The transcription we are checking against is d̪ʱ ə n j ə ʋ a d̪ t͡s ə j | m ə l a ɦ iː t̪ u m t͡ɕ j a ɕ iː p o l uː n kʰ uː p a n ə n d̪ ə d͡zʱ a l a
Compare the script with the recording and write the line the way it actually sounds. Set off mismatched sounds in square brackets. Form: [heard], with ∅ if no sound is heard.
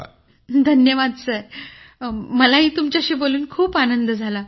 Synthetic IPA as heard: d̪ʱ ə n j ə ʋ a d̪ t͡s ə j | m ə l a ɦ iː t̪ u m t͡ɕ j a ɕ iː [b] o l uː n kʰ uː p a n ə n d̪ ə d͡zʱ a l a